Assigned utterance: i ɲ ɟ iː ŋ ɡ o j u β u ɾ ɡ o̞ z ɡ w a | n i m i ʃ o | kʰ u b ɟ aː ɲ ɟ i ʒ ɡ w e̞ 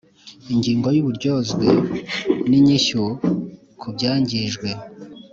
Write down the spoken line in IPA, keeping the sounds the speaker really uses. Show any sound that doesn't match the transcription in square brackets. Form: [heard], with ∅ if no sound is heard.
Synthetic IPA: i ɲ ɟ iː ŋ ɡ o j u β u ɾ [ɟ] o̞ z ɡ w [e] | n i [ɲ] i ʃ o | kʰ u b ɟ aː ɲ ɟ i ʒ ɡ w e̞

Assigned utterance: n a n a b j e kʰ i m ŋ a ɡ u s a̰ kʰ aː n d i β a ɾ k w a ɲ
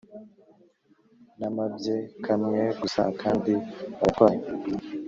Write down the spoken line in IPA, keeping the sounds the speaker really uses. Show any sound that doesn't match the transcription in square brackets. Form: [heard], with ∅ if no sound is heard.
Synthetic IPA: n a [m] a b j e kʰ [a] m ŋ [e] ɡ u s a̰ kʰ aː n d i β a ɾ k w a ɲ

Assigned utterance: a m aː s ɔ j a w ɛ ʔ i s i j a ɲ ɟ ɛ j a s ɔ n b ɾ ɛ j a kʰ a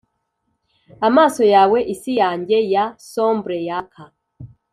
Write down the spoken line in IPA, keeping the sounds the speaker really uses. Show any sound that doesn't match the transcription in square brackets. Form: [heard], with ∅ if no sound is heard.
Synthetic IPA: a m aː s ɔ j a w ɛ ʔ i s i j a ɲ ɟ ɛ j a s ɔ [m] b ɾ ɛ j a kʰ a

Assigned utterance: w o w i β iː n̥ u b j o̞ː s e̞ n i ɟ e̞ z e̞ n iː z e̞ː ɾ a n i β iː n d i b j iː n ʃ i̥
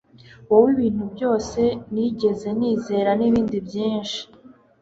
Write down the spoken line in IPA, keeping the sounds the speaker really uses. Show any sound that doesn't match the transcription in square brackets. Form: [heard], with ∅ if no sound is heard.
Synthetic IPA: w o w i β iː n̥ u b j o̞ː s e̞ n i ɟ e̞ z e̞ n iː z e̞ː ɾ a n i β iː n d i b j iː n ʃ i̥

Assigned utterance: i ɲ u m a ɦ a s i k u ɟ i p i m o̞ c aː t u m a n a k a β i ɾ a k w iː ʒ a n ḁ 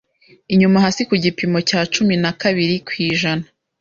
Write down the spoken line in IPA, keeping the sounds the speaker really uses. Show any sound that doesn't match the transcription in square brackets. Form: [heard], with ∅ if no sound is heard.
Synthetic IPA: i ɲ u m a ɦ a s i k u ɟ i p i m o̞ c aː [t͡ʃ] u m [i] n a k a β i ɾ [i] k w iː ʒ a n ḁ

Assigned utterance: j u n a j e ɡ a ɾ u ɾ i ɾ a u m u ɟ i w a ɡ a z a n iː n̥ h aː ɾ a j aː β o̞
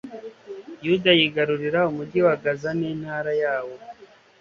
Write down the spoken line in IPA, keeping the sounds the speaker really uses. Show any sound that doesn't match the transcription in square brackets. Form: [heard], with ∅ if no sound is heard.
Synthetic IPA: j u [d] a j [i] ɡ a ɾ u ɾ i ɾ a u m u ɟ i w a ɡ a z a n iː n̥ h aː ɾ a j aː [w] o̞

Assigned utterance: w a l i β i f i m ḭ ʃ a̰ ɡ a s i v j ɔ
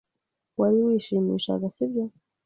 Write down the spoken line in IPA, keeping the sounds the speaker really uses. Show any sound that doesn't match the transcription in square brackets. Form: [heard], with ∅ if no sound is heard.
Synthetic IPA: w a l i [w] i [ʃ] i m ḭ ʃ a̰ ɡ a s i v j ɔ

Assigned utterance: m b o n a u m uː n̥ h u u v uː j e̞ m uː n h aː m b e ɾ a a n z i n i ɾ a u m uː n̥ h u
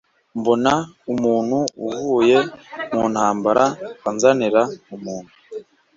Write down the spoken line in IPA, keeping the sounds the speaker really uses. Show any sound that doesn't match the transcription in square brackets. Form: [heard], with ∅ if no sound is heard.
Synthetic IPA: m b o n a u m uː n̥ h u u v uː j e̞ m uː n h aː m b [a] ɾ a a n z [a] n i ɾ a u m uː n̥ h u

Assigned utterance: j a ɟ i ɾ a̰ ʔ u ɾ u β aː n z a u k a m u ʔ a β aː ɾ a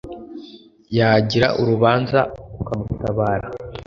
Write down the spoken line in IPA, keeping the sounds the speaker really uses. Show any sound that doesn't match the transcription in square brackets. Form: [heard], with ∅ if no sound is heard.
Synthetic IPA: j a ɟ i ɾ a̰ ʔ u ɾ u β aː n z a u k a m u [t] a β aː ɾ a

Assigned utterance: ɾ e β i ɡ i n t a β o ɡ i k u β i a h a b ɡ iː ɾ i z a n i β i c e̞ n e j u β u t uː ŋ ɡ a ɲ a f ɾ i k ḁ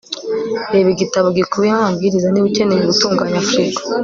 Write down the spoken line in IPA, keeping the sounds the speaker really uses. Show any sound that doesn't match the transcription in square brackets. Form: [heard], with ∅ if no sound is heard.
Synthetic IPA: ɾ e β i ɡ i [∅] t a β o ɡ i k u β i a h a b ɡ [i] ɾ i z a n i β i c e̞ n e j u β u t uː ŋ ɡ a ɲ a f ɾ i k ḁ

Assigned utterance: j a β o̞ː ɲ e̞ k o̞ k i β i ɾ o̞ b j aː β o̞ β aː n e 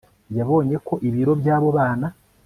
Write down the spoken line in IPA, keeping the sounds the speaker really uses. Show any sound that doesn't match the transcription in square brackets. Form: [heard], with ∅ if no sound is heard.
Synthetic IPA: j a β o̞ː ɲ e̞ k o̞ [ʔ] i β i ɾ o̞ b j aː β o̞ β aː n [a]

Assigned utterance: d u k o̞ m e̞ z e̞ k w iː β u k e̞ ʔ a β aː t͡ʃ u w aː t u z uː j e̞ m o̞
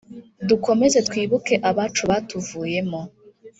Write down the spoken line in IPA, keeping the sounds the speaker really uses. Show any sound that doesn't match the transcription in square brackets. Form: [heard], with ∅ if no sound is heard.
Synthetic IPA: d u k o̞ m e̞ z e̞ [t] w iː β u k e̞ ʔ a β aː t͡ʃ u [β] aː t u [v] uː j e̞ m o̞

